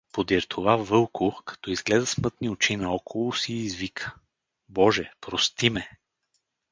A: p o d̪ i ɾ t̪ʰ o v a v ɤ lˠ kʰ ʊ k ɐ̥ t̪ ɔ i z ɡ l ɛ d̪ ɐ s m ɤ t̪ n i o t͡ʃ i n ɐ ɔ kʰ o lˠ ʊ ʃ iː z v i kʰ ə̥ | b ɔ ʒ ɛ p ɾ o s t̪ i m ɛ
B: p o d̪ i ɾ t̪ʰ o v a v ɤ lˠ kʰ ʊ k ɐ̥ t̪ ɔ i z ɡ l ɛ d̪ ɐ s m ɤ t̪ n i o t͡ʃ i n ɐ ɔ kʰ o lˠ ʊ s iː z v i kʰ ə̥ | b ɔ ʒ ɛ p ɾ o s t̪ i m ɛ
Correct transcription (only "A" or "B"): B